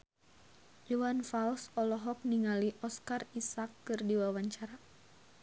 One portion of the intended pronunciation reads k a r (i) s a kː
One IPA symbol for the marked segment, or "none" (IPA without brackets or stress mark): i